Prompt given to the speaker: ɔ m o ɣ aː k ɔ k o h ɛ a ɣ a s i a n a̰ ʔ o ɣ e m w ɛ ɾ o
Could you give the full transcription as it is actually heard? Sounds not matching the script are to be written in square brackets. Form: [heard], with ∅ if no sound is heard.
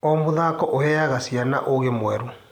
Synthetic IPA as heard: ɔ m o [ð] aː k ɔ [ʔ] o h ɛ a ɣ a s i a n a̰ ʔ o ɣ e m w ɛ ɾ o